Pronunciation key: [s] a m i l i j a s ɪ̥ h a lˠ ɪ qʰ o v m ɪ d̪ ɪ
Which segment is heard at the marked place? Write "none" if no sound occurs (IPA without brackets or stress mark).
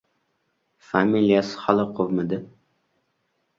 f